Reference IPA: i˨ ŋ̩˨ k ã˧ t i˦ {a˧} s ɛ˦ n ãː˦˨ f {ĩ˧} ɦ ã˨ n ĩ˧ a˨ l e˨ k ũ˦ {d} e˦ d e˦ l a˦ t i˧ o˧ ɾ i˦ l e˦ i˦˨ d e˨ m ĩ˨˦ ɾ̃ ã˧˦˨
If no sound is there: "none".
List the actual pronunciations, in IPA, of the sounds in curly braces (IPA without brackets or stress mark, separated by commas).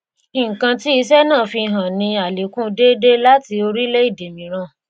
i˧, i˧, d